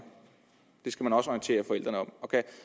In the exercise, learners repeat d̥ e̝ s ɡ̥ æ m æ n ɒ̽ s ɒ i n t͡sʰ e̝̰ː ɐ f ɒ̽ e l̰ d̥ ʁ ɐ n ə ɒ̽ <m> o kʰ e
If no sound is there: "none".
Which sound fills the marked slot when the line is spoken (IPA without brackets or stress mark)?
m